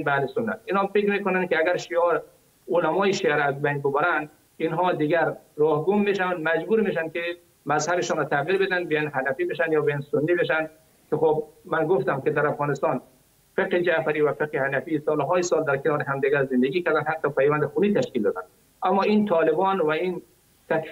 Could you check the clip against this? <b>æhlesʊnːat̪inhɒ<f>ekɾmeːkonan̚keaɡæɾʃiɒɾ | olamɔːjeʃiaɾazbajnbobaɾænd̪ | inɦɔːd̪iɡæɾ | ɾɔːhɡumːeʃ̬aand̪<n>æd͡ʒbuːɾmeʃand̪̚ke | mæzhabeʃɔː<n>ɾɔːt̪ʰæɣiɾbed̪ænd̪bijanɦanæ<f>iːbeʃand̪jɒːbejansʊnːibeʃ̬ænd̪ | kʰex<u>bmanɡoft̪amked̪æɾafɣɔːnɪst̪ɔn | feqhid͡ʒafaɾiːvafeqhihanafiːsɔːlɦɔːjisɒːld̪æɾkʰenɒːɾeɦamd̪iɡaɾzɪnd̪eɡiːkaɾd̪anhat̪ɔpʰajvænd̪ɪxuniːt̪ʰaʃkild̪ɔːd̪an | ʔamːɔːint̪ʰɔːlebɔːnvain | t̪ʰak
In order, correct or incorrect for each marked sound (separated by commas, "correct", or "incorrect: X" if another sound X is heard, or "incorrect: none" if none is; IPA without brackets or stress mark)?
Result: correct, correct, incorrect: m, correct, correct, incorrect: o